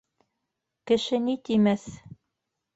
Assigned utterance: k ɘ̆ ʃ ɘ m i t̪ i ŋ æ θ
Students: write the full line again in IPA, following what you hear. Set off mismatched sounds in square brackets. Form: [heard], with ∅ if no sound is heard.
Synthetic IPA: k ɘ̆ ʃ ɘ [n] i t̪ i [m] æ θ